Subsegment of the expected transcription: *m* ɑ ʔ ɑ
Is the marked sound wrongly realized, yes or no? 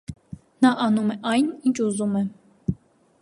yes